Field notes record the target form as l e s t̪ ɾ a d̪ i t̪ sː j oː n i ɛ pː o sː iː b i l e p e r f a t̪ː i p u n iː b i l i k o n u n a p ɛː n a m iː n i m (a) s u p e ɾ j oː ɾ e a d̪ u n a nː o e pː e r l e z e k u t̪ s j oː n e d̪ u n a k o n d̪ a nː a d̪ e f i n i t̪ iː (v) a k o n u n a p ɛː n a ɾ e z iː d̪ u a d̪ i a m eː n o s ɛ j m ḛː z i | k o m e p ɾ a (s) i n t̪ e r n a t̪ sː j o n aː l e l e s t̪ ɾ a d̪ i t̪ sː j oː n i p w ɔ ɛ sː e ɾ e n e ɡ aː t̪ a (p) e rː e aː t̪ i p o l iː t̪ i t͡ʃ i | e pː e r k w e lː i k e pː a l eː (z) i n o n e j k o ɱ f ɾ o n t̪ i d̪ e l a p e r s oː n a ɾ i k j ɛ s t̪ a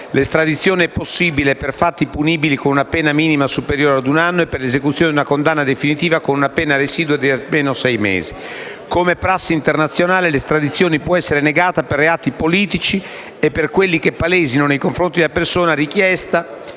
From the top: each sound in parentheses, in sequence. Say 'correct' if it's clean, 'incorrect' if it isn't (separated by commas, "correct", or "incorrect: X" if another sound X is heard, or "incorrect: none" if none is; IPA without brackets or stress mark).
correct, correct, incorrect: sː, correct, correct